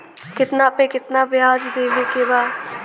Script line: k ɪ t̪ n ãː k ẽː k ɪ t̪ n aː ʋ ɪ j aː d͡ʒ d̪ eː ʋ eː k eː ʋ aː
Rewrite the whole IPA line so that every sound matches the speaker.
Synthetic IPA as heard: k ɪ t̪ n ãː p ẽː k ɪ t̪ n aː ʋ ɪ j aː d͡ʒ d̪ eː ʋ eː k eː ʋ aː